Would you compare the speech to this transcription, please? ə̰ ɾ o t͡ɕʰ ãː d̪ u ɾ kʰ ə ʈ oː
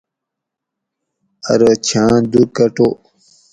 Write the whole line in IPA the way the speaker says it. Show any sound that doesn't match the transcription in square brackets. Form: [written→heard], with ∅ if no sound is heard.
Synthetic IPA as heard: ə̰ ɾ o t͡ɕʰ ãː d̪ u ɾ [kʰ→k] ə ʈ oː

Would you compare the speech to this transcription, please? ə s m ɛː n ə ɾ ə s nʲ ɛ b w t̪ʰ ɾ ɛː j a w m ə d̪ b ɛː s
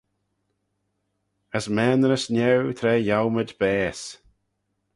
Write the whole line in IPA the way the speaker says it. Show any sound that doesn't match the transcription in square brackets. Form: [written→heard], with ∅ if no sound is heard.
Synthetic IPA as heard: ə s m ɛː n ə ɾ ə s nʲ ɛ [b→∅] w t̪ʰ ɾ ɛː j a w m ə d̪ b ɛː s

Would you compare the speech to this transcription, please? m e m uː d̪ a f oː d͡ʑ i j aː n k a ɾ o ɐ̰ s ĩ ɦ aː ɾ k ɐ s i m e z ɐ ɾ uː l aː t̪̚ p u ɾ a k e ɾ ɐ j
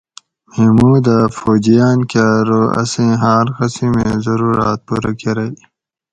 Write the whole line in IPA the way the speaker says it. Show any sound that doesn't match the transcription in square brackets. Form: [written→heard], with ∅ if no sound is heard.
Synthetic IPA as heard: m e m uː d̪ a f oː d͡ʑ i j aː n k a ɾ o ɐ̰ s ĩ ɦ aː ɾ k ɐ s i m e z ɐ ɾ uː [l→ɾ] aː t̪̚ p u ɾ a k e ɾ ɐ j

